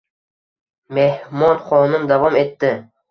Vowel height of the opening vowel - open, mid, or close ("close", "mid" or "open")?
mid